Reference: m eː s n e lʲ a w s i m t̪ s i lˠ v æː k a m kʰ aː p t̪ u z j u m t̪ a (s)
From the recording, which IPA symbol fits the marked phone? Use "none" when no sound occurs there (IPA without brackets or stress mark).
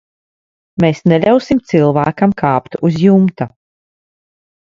none